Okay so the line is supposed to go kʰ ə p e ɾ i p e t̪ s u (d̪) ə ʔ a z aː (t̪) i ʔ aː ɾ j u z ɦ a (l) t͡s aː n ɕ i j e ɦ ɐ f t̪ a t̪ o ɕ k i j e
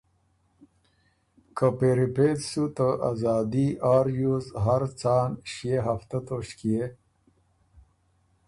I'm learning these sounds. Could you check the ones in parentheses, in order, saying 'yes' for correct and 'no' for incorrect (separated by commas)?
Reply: no, no, no